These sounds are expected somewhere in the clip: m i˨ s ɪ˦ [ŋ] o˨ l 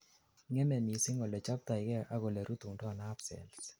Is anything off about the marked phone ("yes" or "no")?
no